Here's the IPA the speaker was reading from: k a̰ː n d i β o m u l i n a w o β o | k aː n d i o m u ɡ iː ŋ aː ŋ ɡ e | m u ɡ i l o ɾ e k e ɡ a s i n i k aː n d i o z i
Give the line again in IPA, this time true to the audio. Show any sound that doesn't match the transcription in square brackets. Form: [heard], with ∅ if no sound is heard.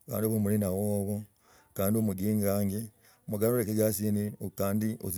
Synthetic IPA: k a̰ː n d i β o m u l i n a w o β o | k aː n d i o m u ɡ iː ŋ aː ŋ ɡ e | m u ɡ [a] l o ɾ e k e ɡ a s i n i k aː n d i o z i